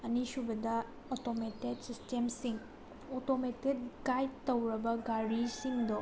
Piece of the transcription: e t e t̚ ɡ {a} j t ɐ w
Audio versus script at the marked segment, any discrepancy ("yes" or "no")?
no